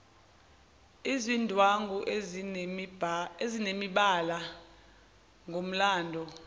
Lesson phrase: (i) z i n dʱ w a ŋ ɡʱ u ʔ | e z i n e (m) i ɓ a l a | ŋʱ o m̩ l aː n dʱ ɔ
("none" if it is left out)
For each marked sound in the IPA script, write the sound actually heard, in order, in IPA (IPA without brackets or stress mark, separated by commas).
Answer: i, m